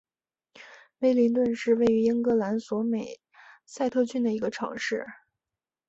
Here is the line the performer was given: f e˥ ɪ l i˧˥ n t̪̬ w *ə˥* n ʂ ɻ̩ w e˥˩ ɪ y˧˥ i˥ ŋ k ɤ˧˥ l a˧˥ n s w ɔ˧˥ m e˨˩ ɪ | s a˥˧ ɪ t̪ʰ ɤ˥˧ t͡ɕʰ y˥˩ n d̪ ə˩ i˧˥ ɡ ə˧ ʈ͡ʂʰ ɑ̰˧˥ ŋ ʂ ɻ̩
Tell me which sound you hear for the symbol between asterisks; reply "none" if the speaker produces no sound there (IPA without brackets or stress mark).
ə˥˧